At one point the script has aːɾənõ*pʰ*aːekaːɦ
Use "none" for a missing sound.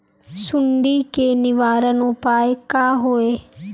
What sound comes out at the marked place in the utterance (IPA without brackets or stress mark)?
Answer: p